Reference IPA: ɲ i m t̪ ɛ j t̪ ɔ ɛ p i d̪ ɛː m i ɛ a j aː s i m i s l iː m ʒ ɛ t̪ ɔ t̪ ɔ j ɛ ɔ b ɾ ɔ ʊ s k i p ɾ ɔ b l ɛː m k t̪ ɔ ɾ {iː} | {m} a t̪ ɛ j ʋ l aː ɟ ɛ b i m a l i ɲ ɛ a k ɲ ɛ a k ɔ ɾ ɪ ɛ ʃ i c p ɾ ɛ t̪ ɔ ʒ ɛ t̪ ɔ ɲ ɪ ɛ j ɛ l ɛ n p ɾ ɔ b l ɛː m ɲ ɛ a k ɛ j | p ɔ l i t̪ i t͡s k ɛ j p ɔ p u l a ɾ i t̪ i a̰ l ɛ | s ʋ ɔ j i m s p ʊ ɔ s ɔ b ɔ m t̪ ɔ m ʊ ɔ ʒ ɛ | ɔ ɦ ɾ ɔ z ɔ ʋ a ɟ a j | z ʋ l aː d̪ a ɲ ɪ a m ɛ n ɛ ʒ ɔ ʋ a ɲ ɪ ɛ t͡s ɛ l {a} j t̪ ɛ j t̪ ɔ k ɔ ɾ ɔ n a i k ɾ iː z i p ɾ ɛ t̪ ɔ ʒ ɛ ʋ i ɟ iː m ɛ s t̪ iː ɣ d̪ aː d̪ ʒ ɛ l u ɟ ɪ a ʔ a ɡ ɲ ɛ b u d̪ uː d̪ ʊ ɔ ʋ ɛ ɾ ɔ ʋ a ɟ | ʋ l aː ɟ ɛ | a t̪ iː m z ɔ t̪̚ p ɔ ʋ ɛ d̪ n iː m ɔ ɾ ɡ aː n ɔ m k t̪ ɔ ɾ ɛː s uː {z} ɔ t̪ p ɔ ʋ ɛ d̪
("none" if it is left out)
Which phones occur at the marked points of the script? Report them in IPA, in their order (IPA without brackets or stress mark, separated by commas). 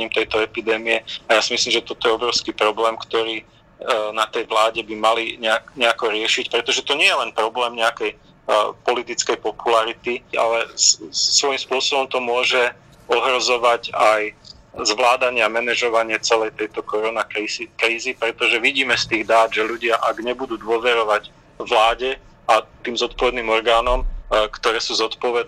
iː, n, ɛ, z